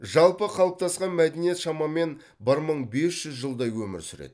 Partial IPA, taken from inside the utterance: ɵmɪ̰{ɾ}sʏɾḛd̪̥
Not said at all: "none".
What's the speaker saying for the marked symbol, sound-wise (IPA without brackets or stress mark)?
ɾ